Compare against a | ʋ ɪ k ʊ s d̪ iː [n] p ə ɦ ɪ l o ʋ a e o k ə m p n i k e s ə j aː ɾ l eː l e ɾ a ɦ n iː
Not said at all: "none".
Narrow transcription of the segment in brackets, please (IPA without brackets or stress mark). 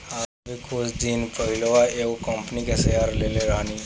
n